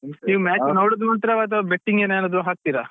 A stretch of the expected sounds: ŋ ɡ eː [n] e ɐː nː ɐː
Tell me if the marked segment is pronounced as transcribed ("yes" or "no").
yes